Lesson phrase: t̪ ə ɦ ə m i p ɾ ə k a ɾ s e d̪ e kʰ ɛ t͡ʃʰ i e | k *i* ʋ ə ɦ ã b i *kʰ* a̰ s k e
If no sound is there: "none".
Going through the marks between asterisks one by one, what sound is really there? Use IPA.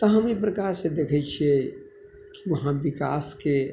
i, k

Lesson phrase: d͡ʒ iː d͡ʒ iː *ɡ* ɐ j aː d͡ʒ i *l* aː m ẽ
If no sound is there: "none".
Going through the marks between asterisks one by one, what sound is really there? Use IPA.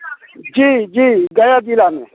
ɡ, l

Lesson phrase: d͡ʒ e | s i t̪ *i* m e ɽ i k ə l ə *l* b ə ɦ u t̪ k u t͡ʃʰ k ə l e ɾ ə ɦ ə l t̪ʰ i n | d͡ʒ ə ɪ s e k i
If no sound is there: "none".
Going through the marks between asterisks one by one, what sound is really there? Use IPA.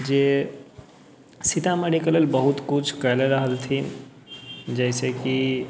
a, l

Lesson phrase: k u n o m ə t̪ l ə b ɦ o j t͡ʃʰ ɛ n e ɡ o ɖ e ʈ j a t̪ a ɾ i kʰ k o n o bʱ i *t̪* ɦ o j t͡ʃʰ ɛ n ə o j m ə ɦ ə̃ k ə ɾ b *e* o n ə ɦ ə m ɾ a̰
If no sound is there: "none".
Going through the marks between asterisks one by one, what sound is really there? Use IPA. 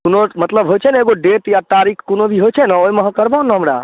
none, a

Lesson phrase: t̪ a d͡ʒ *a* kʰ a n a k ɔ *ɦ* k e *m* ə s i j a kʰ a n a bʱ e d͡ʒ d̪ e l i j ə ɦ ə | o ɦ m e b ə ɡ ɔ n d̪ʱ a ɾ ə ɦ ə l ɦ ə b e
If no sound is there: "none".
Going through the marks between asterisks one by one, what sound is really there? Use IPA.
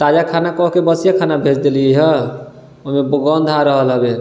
a, ɦ, b

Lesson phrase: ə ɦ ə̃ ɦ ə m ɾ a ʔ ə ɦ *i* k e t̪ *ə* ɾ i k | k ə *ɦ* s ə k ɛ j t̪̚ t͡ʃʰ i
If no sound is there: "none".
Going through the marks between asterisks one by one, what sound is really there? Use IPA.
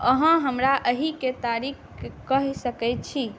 i, a, ɦ

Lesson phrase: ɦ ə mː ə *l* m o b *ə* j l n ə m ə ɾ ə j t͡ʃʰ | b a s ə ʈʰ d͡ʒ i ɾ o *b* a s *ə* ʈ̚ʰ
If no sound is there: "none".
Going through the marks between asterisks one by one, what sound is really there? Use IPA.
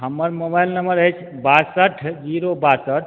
ɾ, a, b, ə

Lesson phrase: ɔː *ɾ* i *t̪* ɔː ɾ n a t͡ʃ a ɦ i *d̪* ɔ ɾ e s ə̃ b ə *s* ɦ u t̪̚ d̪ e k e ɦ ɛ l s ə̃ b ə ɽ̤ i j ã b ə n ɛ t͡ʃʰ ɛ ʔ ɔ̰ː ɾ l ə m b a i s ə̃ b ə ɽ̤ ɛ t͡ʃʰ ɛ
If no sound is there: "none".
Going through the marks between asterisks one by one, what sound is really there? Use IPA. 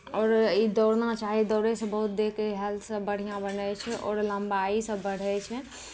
ɾ, d̪, d̪, none

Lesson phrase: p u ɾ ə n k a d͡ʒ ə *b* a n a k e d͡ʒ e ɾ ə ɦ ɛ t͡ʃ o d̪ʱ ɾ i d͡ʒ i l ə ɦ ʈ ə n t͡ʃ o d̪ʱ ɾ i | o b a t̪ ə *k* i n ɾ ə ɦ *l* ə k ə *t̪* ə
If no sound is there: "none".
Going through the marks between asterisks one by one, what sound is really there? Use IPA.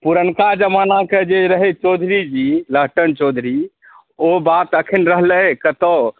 m, kʰ, l, t̪

